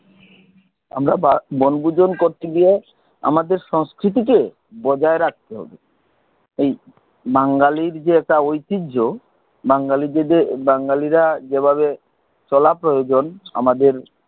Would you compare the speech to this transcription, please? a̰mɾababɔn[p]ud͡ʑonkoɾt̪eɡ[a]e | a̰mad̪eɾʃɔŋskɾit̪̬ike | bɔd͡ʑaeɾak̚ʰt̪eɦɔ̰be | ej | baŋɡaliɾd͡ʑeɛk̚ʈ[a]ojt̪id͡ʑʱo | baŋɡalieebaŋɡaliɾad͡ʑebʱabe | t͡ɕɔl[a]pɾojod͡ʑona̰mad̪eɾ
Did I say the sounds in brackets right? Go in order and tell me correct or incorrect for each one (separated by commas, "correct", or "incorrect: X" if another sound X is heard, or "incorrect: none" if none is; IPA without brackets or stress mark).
incorrect: b, incorrect: i, correct, correct